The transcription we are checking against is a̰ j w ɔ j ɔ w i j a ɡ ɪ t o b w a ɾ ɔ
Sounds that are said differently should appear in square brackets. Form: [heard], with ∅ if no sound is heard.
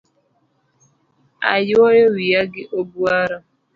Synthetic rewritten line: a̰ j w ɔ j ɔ w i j a ɡ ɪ [ʔ] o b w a ɾ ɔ